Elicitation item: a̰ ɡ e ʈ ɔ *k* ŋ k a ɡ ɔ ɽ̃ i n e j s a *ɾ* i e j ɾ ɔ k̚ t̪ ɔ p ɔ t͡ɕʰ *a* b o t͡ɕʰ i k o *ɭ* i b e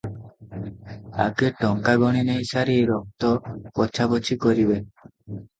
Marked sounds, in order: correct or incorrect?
incorrect: none, correct, correct, incorrect: ɾ

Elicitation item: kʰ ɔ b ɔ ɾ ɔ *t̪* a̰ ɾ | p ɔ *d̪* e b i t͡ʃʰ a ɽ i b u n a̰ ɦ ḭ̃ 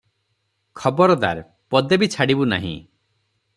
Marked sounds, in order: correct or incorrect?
incorrect: d̪, correct

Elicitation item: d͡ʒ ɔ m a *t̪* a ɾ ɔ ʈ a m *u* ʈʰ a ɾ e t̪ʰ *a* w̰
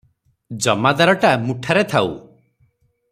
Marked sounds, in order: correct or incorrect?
incorrect: d̪, correct, correct

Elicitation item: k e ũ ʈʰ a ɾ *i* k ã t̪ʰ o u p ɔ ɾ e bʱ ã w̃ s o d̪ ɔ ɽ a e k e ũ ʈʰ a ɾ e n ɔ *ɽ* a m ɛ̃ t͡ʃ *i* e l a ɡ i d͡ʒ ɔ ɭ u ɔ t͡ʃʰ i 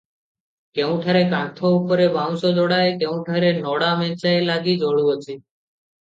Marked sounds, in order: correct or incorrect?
incorrect: e, correct, incorrect: a

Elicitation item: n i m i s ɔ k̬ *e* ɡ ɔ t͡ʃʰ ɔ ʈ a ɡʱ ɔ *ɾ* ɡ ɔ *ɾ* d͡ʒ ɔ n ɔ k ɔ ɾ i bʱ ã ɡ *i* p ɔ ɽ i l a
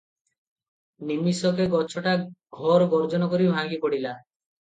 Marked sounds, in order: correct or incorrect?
correct, correct, correct, correct

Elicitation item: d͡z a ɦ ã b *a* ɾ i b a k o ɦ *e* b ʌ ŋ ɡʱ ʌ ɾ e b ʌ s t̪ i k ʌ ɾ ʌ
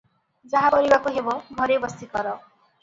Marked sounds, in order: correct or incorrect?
incorrect: ʌ, correct

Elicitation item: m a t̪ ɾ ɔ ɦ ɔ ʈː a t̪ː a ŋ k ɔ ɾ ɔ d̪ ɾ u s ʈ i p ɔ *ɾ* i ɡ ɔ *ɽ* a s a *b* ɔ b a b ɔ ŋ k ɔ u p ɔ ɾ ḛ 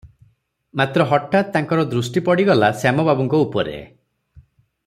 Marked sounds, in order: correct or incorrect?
incorrect: ɽ, incorrect: l, incorrect: m

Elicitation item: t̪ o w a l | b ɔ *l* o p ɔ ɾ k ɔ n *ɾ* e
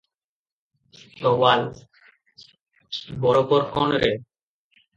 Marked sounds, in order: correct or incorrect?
incorrect: ɾ, correct

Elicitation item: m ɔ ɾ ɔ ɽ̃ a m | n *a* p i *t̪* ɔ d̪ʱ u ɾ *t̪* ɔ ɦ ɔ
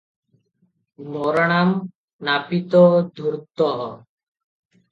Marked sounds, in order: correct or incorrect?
correct, correct, correct

